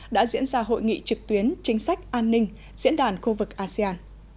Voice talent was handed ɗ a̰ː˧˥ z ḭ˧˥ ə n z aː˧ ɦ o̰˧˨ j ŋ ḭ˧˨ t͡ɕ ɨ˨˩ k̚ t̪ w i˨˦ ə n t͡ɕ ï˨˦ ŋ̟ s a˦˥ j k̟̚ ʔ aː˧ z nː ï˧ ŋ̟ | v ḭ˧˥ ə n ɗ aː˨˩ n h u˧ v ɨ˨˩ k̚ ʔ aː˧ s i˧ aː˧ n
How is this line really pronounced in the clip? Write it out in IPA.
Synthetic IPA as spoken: ɗ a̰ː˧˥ z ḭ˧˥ ə n z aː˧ ɦ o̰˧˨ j ŋ ḭ˧˨ t͡ɕ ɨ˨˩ k̚ t̪ w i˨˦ ə n t͡ɕ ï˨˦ ŋ̟ s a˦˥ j k̟̚ ʔ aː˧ nː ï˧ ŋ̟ | z ḭ˧˥ ə n ɗ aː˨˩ n x u˧ v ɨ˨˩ k̚ ʔ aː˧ s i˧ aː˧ n